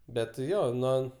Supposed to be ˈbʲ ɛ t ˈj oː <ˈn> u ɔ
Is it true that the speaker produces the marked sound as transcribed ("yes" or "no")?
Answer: yes